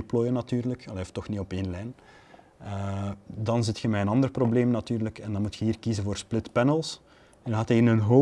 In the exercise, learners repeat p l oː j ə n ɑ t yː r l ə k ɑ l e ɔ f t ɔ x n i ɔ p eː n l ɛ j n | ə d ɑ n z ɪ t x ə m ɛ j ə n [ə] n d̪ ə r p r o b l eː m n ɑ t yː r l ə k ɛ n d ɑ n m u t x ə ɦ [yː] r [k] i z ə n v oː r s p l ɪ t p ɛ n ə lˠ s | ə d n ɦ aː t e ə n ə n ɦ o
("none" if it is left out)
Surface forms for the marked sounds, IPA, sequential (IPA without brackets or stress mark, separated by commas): ɑ, iː, k